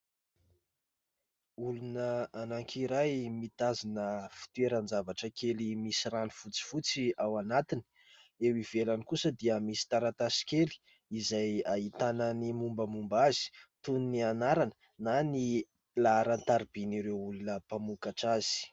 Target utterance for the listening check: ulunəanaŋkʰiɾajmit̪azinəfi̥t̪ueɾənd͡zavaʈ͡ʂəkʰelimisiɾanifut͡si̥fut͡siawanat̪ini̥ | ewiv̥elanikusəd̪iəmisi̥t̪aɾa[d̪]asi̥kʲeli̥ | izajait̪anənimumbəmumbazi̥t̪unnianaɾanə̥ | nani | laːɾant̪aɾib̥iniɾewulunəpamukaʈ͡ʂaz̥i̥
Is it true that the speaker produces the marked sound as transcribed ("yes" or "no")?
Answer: no